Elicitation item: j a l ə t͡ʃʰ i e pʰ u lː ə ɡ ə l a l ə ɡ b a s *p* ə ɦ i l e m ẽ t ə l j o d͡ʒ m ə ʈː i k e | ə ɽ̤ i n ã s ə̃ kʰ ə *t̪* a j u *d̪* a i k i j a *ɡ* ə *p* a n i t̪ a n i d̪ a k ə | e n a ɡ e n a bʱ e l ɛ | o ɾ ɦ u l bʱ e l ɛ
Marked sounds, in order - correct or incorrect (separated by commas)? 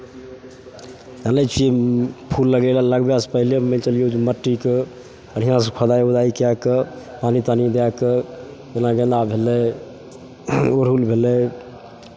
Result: correct, incorrect, correct, incorrect, correct